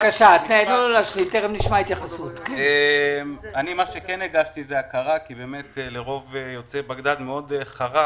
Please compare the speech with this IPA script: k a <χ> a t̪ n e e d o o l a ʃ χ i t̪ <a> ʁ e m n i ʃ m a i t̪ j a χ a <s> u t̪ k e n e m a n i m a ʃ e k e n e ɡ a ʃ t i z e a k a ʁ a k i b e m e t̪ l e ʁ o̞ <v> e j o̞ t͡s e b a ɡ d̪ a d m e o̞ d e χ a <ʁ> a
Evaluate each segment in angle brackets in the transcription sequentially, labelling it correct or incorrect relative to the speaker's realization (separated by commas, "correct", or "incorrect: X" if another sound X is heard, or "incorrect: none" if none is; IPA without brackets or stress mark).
incorrect: ʃ, incorrect: e, correct, correct, correct